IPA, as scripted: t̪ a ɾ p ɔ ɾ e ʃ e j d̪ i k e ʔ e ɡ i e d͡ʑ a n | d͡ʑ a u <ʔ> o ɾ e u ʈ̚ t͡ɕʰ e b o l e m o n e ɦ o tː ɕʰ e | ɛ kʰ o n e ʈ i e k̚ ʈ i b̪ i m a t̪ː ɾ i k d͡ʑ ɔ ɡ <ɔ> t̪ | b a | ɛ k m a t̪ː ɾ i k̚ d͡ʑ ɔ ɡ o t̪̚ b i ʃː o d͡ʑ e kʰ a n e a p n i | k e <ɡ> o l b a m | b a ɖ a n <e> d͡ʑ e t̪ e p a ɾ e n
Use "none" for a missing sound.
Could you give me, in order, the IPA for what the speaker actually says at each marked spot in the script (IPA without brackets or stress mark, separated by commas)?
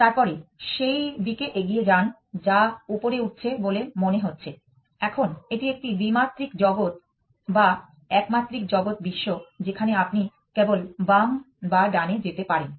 p, o, b, e